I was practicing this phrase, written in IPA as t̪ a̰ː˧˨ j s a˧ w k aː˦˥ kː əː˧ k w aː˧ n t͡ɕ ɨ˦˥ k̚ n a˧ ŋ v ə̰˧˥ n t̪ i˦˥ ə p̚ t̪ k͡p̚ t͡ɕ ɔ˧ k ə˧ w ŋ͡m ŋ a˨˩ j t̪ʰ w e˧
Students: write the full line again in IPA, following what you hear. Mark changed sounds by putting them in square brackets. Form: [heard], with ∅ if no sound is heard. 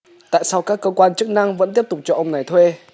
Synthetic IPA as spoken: t̪ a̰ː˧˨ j s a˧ w k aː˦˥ kː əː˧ k w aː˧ n t͡ɕ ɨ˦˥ k̚ n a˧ ŋ v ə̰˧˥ n t̪ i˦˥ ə p̚ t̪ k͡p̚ t͡ɕ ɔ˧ [ʔ] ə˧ w ŋ͡m [n] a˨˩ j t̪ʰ w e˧